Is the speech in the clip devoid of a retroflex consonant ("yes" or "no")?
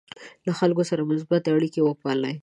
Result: no